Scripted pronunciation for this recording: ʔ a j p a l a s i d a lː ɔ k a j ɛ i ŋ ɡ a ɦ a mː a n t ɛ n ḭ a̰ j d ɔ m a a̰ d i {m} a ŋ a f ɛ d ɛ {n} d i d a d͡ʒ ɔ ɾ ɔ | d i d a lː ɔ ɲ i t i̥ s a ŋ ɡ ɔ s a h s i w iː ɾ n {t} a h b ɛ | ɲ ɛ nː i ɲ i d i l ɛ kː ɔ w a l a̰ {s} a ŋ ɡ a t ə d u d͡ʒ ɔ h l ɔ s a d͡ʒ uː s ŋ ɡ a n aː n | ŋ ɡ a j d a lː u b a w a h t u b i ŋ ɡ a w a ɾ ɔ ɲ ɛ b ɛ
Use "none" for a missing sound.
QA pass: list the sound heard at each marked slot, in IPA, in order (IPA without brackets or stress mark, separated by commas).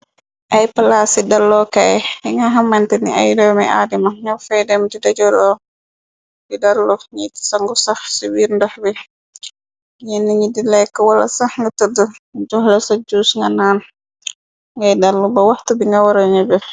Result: m, m, d, s